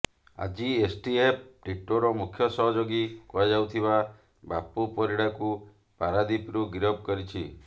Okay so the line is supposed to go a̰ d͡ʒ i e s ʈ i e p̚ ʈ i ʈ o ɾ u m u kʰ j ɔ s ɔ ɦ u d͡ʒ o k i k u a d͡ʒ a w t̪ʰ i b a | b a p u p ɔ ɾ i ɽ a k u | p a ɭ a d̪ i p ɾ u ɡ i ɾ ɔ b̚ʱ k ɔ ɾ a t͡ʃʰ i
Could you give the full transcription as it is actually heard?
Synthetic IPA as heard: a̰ d͡ʒ i e s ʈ i e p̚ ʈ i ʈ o ɾ ɔ m u kʰ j ɔ s ɔ ɦ ɔ d͡ʒ o ɡ i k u a d͡ʒ a w t̪ʰ i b a | b a p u p ɔ ɾ i ɽ a k u | p a ɾ a d̪ i p ɾ u ɡ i ɾ ɔ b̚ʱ k ɔ ɾ i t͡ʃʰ i